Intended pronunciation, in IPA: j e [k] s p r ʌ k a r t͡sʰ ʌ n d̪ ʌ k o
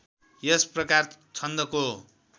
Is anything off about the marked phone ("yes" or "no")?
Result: yes